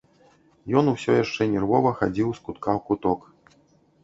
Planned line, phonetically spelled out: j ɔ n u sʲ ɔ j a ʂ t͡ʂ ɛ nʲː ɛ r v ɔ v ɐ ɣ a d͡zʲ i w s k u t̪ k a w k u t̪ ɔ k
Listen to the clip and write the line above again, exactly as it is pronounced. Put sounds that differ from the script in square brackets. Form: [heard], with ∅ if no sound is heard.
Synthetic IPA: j ɔ n u sʲ ɔ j a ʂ t͡ʂ ɛ [nʲ] ɛ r v ɔ v ɐ [x] a d͡zʲ i w s k u t̪ k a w k u t̪ ɔ k